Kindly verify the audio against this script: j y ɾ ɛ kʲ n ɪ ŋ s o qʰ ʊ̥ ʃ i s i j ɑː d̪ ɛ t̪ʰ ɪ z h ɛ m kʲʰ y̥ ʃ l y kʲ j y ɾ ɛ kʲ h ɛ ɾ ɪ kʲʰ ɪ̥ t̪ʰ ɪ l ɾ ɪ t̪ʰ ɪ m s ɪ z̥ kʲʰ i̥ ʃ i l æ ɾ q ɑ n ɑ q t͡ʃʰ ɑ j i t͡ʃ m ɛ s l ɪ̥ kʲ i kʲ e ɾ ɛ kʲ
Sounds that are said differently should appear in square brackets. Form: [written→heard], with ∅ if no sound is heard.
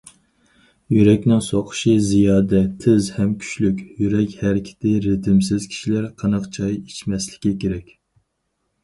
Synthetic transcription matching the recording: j y ɾ ɛ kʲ n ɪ ŋ s o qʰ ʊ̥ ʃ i [s→z] i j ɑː d̪ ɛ t̪ʰ ɪ z h ɛ m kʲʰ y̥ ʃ l y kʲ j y ɾ ɛ kʲ h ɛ ɾ ɪ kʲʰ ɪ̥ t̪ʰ ɪ [l→∅] ɾ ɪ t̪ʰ ɪ m s ɪ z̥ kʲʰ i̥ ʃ i l æ ɾ [q→qʰ] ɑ n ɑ q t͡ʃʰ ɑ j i t͡ʃ m ɛ s l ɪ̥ kʲ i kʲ e ɾ ɛ kʲ